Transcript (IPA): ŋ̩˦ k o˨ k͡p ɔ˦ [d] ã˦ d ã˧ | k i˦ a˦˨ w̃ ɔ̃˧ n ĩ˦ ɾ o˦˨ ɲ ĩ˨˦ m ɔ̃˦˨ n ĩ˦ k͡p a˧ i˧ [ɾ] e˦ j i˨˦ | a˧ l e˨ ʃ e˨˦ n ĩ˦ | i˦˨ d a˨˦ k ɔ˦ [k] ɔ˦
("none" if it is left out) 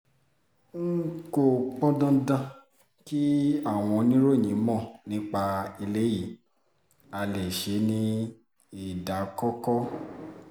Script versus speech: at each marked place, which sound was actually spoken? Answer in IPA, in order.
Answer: d, l, k

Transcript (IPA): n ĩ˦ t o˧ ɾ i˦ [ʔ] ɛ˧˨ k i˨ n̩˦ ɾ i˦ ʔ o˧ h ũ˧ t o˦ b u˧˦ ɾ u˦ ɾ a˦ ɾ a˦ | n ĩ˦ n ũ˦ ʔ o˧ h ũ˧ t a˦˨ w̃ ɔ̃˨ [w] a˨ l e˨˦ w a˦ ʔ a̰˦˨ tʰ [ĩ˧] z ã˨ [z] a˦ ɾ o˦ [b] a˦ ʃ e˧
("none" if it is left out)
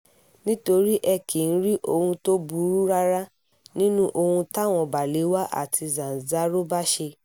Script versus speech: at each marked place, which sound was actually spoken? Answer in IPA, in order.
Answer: ʔ, b, i˧, z, b

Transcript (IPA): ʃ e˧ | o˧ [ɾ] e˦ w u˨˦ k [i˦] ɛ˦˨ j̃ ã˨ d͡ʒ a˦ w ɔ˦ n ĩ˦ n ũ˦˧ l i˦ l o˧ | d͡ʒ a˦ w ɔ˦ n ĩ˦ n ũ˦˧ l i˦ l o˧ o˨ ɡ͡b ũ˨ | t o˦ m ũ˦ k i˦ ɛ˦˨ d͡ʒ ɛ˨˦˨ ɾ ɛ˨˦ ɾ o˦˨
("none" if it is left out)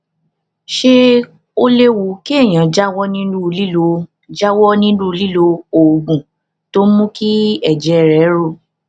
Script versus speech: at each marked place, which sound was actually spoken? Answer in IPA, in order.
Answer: l, i˦

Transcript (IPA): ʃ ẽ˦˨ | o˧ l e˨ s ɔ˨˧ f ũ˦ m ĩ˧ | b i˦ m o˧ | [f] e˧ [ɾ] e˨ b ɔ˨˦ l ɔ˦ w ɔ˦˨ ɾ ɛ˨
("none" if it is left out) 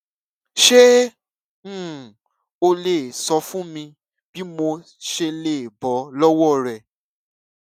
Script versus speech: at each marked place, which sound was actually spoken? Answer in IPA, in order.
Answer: ʃ, l

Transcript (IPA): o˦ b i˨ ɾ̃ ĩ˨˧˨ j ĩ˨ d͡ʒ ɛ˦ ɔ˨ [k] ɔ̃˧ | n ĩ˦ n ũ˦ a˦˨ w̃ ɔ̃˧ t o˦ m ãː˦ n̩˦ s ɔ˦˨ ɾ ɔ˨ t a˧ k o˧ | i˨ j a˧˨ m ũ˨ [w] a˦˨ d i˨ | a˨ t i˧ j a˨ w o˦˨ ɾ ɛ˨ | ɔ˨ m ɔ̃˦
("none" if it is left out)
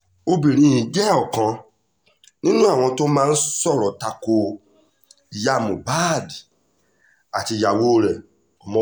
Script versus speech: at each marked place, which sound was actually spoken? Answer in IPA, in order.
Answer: k, b

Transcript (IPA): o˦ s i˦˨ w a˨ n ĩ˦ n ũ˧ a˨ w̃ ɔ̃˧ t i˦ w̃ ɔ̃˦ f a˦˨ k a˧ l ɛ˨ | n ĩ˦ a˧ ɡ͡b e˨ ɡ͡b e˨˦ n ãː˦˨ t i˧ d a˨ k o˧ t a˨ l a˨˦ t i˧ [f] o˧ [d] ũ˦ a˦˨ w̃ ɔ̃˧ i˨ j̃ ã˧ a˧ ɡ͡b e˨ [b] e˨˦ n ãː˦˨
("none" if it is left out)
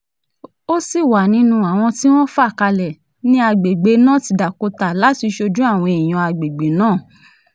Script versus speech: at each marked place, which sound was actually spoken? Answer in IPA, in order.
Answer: ʃ, d͡ʒ, ɡ͡b

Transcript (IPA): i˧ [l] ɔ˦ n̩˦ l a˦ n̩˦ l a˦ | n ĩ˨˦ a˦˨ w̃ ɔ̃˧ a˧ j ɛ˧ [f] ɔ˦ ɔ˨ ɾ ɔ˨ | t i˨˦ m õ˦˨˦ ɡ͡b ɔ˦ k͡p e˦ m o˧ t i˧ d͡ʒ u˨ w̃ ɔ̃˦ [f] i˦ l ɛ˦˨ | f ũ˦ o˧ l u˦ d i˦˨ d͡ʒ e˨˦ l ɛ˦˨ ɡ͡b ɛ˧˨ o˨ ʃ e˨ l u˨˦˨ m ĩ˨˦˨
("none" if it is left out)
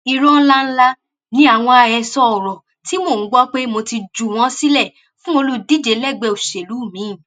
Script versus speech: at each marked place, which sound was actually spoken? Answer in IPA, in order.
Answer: ɾ, s, s

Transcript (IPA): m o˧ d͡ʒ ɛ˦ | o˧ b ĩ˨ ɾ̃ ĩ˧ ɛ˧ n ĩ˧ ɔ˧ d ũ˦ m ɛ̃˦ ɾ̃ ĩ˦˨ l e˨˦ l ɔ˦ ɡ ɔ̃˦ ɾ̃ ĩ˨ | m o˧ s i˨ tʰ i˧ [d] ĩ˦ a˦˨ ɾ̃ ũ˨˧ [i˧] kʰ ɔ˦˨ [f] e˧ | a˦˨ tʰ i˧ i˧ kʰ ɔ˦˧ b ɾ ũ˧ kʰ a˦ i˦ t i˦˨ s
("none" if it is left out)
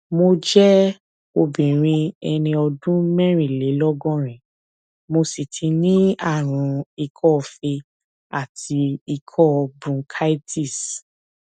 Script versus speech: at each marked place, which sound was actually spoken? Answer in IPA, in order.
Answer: n, i˧, f

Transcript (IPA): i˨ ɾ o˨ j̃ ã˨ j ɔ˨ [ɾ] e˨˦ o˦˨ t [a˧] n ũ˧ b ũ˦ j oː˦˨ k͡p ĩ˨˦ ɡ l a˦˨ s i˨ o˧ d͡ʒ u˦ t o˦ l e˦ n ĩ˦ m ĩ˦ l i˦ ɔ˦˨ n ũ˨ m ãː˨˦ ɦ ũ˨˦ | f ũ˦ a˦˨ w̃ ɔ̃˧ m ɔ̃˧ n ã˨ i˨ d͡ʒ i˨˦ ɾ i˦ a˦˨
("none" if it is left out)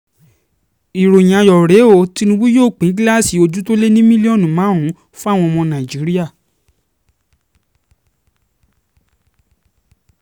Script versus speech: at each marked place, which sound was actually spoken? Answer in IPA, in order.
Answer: ɾ, i˧

